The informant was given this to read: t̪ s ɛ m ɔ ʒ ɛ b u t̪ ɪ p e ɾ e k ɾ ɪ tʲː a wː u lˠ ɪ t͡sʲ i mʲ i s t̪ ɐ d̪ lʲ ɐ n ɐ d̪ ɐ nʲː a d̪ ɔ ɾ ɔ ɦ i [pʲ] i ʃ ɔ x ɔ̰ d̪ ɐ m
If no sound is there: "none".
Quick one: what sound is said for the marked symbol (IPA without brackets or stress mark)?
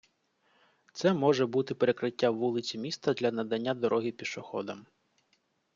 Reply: pʲ